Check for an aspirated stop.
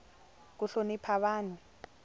present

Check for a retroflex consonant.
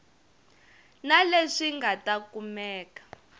present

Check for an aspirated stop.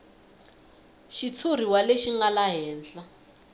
present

